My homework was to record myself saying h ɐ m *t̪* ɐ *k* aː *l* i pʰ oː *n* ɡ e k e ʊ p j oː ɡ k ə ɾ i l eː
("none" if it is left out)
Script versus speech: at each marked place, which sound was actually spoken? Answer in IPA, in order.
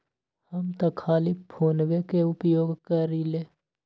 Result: t̪, kʰ, l, n

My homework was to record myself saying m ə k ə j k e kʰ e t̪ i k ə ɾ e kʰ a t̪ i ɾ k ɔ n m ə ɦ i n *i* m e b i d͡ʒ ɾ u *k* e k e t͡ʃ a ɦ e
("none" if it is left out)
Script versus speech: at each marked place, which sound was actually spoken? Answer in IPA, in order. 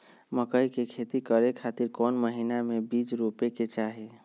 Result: a, p

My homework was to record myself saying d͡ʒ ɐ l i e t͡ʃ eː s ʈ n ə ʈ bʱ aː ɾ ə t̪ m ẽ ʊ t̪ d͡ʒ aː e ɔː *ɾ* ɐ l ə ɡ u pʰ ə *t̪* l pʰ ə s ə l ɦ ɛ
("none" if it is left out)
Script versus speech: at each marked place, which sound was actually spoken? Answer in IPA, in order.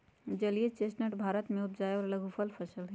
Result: ɾ, none

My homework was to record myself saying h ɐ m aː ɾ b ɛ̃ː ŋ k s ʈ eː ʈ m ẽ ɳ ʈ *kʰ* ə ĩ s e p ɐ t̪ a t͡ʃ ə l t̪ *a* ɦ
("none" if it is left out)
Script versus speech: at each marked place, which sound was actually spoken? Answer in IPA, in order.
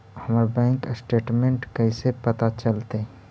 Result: k, e

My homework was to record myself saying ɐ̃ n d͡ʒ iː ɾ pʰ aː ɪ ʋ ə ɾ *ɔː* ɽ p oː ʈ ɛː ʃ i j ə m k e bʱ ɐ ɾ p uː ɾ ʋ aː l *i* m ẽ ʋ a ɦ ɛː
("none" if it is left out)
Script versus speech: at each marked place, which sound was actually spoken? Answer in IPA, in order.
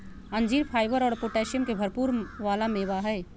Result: ɔː, a

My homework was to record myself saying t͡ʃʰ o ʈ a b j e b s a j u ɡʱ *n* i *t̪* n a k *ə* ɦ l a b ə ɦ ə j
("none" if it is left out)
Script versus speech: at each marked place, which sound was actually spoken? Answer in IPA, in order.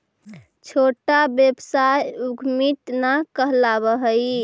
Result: m, t̪, ə

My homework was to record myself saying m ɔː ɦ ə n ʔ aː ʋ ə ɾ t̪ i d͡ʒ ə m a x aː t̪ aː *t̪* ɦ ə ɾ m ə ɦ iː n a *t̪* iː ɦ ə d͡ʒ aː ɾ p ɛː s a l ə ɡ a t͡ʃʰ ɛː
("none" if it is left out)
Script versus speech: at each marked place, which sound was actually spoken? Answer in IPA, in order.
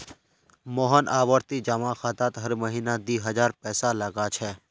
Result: t̪, d̪

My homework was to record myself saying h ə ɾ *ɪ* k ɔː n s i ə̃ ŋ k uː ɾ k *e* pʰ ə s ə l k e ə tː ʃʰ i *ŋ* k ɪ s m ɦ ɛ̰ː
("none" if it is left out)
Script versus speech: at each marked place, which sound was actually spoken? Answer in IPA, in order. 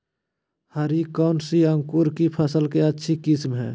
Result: i, i, none

